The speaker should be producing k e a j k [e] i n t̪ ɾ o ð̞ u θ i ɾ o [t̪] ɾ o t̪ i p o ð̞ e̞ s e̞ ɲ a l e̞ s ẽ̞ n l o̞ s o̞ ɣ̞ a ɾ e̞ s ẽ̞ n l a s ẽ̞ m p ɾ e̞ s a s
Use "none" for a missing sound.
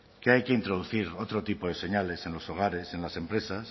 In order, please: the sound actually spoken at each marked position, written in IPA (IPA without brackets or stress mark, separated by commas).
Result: e, t̪